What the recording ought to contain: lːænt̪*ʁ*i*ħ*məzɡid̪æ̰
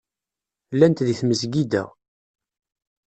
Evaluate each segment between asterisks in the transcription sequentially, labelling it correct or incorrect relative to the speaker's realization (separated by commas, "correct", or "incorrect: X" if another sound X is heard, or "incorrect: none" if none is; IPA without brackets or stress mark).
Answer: incorrect: ð, incorrect: θ